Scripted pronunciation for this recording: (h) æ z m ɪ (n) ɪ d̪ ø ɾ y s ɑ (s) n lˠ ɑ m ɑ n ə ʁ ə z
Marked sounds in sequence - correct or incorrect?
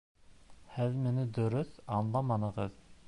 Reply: correct, correct, incorrect: none

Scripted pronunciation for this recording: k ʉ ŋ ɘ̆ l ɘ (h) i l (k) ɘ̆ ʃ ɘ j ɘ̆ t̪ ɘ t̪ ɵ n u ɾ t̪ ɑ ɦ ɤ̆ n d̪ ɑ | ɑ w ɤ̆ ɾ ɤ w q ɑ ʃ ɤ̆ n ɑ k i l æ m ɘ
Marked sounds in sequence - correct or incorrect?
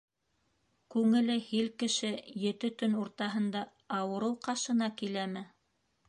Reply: correct, correct

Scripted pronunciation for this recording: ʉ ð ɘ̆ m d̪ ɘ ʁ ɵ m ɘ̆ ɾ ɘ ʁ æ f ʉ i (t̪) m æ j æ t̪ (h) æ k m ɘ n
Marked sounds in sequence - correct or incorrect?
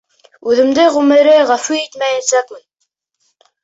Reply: correct, incorrect: s

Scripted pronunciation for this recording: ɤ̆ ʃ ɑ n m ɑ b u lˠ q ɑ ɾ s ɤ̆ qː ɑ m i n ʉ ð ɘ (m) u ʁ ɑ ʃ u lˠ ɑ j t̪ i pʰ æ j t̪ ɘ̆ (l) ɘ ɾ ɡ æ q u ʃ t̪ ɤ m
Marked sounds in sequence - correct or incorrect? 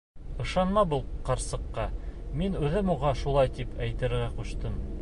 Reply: correct, incorrect: ɾ

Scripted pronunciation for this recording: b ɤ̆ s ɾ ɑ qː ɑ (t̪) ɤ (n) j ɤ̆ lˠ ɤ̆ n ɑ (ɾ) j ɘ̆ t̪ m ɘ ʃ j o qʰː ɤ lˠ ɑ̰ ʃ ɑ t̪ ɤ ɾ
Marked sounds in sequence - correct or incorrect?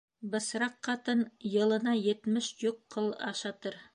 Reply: correct, correct, incorrect: none

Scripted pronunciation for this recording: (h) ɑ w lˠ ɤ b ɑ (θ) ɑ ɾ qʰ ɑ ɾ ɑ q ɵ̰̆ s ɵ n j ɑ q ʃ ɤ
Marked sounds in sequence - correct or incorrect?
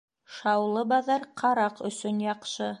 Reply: incorrect: ʃ, incorrect: ð

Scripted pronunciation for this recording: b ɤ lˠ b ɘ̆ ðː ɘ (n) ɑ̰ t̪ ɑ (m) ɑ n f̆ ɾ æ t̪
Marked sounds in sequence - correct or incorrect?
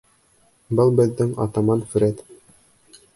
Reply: incorrect: ŋ, correct

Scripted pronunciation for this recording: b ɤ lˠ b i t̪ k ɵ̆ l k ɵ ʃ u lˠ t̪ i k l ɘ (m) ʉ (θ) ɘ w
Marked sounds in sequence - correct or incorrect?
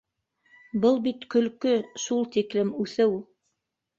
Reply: correct, correct

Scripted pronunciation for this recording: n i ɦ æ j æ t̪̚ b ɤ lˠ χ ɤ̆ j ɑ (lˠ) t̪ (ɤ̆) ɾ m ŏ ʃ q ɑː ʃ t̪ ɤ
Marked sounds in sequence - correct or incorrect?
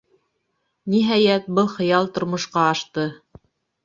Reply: correct, incorrect: ŏ

